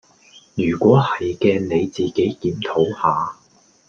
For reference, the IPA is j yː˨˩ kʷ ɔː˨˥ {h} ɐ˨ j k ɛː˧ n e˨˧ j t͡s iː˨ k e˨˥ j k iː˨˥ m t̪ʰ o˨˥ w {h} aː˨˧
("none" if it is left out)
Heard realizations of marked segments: h, h

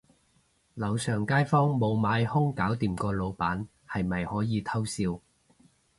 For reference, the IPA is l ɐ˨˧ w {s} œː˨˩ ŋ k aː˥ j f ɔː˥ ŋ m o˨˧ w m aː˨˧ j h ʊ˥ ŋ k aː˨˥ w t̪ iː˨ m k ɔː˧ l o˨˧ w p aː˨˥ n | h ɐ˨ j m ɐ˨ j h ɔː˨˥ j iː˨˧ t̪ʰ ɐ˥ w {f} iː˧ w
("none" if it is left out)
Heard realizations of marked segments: s, s

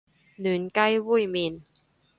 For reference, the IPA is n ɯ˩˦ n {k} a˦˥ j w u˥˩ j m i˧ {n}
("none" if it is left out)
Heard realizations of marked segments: k, n

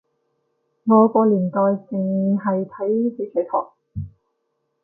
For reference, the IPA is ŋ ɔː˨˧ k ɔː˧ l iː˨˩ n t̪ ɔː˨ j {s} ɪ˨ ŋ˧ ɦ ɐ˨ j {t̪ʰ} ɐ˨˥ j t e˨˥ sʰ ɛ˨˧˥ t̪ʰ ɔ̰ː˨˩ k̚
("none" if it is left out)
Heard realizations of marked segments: t͡s, t̪ʰ

